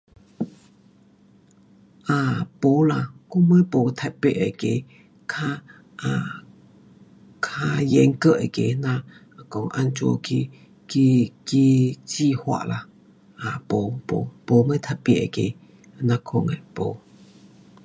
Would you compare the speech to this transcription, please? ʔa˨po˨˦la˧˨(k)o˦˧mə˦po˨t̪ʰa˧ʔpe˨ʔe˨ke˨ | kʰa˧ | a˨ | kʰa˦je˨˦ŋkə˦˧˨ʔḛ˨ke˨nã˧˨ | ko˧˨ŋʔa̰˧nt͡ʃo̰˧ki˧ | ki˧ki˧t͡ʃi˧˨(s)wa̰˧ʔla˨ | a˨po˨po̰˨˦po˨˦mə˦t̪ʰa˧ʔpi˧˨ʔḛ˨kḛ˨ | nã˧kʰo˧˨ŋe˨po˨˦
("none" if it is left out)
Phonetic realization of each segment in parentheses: k, h

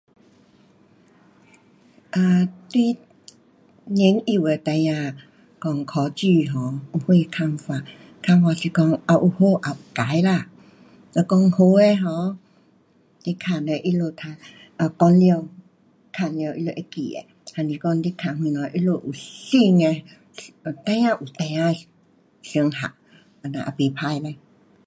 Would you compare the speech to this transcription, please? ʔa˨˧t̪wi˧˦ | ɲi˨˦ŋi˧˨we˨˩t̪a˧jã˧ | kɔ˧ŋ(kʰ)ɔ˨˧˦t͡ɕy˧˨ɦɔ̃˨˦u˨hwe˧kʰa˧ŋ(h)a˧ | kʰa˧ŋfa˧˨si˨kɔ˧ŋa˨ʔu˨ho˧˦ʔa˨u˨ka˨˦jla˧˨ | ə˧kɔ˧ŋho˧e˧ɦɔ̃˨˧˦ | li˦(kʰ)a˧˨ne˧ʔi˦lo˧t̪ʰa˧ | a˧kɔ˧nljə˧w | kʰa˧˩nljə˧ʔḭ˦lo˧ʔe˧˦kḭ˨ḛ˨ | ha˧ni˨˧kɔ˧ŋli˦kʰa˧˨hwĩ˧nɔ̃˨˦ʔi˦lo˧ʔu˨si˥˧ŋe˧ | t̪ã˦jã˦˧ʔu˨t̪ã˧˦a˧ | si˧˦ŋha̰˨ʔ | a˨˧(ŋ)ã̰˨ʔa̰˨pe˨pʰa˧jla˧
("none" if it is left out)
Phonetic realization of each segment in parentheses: kʰ, f, kʰ, n

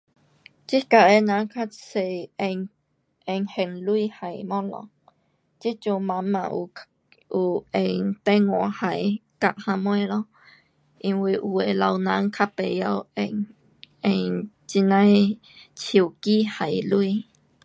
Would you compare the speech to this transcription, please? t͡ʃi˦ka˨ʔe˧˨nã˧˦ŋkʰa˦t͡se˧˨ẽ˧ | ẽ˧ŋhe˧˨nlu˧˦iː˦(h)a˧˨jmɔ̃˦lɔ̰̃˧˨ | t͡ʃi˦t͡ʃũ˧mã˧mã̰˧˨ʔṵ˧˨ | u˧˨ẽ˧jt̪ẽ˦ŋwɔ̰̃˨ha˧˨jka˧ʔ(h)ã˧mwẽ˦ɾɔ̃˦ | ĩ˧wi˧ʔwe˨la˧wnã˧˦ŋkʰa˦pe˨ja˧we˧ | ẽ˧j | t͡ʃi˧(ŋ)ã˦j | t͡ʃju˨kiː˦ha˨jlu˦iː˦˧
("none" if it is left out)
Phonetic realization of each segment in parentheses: h, h, n

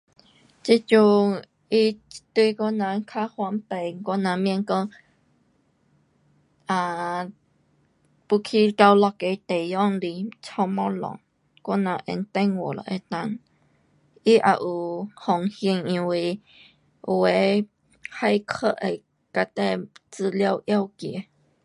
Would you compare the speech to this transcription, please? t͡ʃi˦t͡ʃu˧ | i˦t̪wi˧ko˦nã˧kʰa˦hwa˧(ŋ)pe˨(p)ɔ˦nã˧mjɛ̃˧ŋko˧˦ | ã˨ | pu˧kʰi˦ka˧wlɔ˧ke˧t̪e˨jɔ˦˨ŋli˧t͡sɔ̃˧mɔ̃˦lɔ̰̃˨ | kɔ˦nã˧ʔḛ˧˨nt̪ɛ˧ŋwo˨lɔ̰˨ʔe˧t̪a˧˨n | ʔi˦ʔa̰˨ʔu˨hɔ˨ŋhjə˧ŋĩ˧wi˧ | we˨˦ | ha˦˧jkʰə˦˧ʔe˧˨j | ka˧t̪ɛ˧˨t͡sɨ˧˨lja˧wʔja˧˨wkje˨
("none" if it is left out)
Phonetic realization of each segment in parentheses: m, k

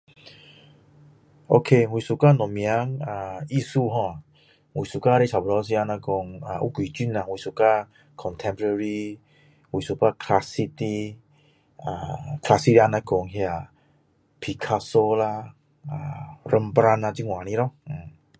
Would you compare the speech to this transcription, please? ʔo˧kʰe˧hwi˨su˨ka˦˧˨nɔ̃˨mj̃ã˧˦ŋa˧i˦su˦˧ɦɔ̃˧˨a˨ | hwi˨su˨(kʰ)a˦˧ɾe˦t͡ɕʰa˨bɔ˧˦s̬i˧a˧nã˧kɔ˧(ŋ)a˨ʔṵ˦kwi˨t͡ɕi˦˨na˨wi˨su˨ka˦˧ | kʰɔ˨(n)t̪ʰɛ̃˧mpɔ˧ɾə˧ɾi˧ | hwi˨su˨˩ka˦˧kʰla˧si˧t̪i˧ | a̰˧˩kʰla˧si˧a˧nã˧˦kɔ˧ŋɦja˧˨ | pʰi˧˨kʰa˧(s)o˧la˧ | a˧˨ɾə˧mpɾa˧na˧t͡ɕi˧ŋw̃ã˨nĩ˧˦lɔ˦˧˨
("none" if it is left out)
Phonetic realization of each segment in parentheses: k, ŋ, n, s

